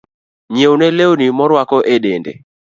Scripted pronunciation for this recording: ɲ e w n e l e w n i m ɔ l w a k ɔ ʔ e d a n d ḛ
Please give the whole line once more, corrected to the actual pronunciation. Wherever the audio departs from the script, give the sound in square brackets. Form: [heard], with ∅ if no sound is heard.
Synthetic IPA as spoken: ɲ e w n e l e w n i m ɔ [ɾ] w a k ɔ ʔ e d [e] n d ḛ